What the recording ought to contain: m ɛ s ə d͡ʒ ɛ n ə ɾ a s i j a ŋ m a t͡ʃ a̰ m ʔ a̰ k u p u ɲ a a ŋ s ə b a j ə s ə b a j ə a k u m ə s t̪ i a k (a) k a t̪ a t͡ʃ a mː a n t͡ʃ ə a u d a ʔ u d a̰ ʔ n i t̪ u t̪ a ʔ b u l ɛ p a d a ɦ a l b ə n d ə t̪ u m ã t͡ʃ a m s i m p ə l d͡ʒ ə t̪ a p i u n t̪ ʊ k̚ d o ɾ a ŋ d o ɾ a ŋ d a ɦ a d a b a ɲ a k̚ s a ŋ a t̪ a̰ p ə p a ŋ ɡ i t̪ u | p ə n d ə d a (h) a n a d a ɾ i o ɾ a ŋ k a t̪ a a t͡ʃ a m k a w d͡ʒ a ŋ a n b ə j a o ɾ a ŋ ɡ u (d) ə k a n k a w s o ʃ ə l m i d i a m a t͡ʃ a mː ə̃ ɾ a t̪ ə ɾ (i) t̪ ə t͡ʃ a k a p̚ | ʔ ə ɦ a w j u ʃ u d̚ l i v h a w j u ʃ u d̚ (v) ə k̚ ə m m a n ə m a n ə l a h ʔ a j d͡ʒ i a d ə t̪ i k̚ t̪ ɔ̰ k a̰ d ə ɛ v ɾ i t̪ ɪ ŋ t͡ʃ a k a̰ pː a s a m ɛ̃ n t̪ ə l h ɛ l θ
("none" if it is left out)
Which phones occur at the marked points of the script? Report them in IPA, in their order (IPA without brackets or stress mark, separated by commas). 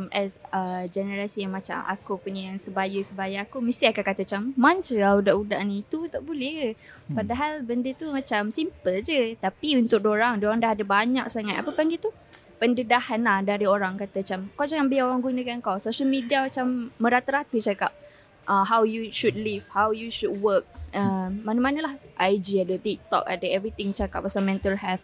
a, h, n, a, w